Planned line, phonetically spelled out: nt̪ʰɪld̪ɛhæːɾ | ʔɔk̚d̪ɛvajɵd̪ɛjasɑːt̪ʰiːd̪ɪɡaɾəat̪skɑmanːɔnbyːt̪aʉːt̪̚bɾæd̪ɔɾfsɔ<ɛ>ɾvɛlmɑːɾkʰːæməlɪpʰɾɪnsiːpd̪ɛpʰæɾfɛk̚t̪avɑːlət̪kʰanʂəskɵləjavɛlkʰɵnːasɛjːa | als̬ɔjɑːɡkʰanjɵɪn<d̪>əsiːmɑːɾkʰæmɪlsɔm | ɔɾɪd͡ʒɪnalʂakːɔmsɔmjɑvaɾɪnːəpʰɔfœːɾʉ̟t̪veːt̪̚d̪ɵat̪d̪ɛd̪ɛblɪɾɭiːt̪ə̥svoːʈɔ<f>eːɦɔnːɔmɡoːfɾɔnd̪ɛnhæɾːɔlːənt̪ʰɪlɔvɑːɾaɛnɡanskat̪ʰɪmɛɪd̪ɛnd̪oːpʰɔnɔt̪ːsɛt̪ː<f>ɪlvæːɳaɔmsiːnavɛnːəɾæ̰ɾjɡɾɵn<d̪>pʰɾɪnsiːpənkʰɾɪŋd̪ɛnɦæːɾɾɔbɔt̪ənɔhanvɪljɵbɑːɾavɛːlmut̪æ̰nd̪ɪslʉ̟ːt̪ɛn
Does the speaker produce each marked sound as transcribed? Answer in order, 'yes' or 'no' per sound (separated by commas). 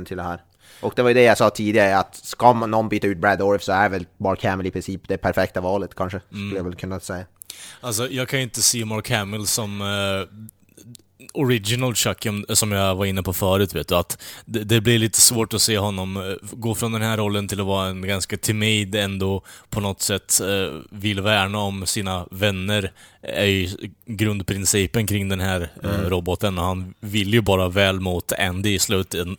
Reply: no, no, no, no, yes